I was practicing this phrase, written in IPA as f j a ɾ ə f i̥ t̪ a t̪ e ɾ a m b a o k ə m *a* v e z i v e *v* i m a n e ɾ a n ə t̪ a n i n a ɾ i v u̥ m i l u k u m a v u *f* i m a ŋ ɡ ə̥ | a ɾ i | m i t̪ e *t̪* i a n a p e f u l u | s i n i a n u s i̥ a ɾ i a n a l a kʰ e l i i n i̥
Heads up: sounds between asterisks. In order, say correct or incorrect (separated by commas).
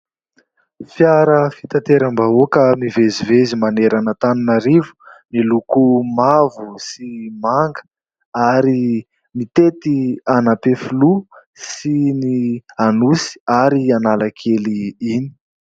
incorrect, incorrect, incorrect, correct